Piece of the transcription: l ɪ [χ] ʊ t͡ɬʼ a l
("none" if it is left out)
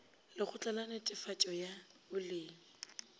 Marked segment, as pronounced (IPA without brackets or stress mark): χ